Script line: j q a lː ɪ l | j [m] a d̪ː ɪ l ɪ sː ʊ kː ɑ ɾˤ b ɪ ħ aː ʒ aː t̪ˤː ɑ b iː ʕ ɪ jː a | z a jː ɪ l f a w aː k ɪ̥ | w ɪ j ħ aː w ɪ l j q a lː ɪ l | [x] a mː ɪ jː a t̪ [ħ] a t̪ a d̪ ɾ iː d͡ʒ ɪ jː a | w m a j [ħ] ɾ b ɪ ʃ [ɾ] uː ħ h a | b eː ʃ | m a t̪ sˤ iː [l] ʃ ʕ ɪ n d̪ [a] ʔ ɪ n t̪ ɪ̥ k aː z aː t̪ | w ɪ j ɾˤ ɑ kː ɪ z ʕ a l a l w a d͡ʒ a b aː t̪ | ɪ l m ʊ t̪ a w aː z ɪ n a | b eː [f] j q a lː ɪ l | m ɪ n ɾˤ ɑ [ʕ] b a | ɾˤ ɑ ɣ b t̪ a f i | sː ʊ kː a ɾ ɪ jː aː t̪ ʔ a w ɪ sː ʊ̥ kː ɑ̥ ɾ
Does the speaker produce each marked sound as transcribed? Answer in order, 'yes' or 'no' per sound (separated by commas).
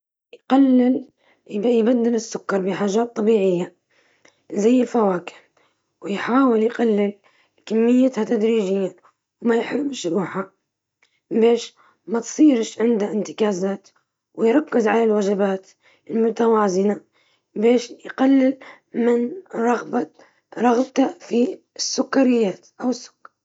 no, no, no, yes, yes, no, yes, no, no